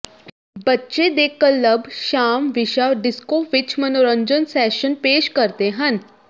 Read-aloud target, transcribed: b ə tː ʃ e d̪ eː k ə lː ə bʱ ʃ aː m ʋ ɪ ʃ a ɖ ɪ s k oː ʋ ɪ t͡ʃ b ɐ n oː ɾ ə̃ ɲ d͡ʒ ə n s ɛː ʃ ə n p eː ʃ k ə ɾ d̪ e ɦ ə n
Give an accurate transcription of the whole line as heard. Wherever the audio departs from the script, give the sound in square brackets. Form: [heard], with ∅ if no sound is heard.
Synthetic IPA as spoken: b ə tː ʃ e d̪ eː k ə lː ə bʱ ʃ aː m ʋ ɪ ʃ a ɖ ɪ s k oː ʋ ɪ t͡ʃ [m] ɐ n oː ɾ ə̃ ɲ d͡ʒ ə n s ɛː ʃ ə n p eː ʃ k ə ɾ [t̪] e ɦ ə n

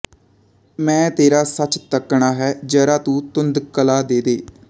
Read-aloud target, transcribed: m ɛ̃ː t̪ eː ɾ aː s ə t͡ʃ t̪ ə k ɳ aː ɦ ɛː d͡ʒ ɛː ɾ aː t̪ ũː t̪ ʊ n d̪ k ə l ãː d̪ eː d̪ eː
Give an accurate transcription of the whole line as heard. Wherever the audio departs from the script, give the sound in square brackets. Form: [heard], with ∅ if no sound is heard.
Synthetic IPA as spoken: m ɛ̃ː t̪ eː ɾ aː s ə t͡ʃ t̪ ə k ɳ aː ɦ ɛː d͡ʒ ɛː ɾ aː t̪ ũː t̪ ʊ n d̪ k ə l [aː] d̪ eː d̪ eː

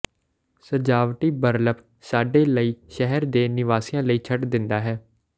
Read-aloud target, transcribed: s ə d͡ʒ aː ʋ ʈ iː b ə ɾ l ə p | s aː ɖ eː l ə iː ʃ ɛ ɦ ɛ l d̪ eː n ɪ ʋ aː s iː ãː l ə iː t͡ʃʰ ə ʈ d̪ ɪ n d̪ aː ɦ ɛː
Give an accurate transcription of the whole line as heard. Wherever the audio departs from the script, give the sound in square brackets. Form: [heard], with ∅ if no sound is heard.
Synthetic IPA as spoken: s ə d͡ʒ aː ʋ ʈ iː b ə ɾ l ə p | s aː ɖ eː l ə iː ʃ ɛ ɦ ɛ [ɾ] d̪ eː n ɪ ʋ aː s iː ãː l ə iː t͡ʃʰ ə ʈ d̪ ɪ n d̪ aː ɦ ɛː

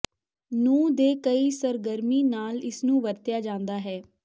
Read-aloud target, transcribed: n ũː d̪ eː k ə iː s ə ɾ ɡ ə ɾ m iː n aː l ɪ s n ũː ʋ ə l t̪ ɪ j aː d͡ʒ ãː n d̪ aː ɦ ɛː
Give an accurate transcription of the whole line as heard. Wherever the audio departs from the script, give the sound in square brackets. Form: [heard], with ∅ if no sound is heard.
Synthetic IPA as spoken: n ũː d̪ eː k ə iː s ə ɾ ɡ ə ɾ m iː n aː l ɪ s n ũː ʋ ə [ɾ] t̪ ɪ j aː d͡ʒ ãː n d̪ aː ɦ ɛː

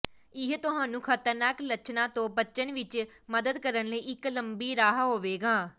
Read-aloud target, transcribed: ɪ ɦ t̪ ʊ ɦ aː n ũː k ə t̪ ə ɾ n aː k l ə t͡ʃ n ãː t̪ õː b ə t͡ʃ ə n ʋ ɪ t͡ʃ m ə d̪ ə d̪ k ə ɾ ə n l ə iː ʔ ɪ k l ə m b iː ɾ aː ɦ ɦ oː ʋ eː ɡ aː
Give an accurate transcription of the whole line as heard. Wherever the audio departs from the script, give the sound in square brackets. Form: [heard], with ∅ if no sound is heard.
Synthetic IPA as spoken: ɪ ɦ t̪ ʊ ɦ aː n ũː [kʰ] ə t̪ ə ɾ n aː k l ə t͡ʃ n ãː t̪ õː b ə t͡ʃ ə n ʋ ɪ t͡ʃ m ə d̪ ə d̪ k ə ɾ ə n l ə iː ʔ ɪ k l ə m b iː ɾ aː ɦ ɦ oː ʋ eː ɡ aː

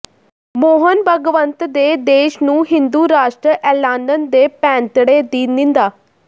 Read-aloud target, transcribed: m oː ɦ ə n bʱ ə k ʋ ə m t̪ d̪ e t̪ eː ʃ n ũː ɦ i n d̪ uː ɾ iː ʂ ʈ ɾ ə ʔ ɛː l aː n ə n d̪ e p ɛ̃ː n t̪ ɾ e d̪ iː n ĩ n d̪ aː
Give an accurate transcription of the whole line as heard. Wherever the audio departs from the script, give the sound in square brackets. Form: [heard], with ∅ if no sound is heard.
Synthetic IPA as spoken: m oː ɦ ə n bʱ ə [ɡ] ʋ ə [n] t̪ d̪ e [d̪] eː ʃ n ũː ɦ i n d̪ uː ɾ [aː] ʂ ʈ ɾ ə ʔ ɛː l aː n ə n d̪ e p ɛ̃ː n t̪ [ɽ] e d̪ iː n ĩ n d̪ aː

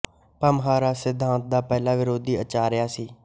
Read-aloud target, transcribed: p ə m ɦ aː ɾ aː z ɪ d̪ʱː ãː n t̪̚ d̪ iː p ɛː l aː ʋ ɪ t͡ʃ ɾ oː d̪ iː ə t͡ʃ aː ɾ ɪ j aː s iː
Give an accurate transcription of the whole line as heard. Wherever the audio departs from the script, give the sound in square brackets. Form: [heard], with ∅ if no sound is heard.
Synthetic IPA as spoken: p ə m ɦ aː ɾ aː [s] ɪ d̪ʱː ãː n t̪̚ d̪ [aː] p ɛː l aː ʋ ɪ [∅] ɾ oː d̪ iː ə t͡ʃ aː ɾ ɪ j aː s iː

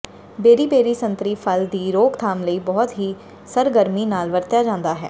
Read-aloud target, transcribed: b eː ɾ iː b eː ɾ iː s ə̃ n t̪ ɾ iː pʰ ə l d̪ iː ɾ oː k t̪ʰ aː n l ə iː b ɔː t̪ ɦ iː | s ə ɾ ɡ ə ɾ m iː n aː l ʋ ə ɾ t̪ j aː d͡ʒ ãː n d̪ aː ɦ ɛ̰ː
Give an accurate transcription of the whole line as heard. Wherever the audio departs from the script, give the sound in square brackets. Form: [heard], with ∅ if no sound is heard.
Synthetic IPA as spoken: b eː ɾ iː b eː ɾ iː s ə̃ n t̪ ɾ iː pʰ ə l d̪ iː ɾ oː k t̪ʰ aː [m] l ə iː b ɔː t̪ ɦ iː | s ə ɾ ɡ ə ɾ m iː n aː l ʋ ə ɾ t̪ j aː d͡ʒ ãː n d̪ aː ɦ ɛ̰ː

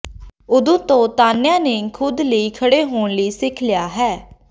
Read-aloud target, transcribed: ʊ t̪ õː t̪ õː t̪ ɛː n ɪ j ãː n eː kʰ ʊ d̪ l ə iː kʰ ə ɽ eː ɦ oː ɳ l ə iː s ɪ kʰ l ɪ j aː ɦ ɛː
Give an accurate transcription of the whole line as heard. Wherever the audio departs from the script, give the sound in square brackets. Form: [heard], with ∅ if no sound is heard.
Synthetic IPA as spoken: ʊ [d̪] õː t̪ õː t̪ [aː] n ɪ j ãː n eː kʰ ʊ d̪ l ə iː kʰ ə ɽ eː ɦ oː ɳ l ə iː s ɪ kʰ l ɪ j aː ɦ ɛː

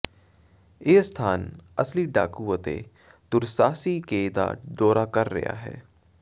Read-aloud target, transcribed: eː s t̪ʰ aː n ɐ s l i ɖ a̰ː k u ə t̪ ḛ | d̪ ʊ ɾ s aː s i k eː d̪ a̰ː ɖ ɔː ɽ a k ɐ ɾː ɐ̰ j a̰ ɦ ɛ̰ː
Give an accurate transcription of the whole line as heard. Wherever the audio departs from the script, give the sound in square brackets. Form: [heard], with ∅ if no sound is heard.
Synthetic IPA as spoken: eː s t̪ʰ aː n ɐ s l i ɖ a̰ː k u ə t̪ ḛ | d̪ ʊ ɾ s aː s i k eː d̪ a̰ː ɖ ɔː [ɾ] a k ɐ ɾː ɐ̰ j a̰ ɦ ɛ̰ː

